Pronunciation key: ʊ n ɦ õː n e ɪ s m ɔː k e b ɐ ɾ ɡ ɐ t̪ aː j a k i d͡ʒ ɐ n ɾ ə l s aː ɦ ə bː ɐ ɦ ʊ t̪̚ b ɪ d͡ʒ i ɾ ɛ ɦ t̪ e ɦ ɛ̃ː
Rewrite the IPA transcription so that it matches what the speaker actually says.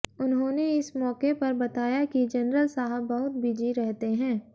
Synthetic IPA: ʊ n ɦ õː n e ɪ s m ɔː k e p ɐ ɾ b ɐ t̪ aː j a k i d͡ʒ ɐ n ɾ ə l s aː ɦ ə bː ɐ ɦ ʊ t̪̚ b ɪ d͡ʒ i ɾ ɛ ɦ t̪ e ɦ ɛ̃ː